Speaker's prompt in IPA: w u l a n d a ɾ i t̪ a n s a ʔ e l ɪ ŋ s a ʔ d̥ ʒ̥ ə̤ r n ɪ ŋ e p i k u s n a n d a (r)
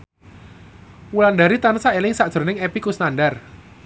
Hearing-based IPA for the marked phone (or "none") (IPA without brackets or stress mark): r